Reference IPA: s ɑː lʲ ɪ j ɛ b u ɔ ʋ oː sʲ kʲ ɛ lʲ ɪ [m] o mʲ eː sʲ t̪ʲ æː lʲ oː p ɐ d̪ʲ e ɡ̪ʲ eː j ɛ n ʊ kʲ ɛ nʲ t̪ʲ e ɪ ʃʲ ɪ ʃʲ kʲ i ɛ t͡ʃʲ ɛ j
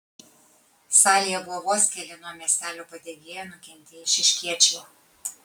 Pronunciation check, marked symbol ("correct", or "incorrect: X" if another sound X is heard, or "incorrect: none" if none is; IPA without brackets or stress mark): incorrect: n